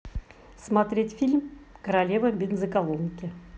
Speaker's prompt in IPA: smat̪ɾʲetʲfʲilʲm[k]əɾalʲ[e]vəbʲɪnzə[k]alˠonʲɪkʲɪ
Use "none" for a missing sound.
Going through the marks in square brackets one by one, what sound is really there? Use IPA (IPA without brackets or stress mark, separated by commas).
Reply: k, e, k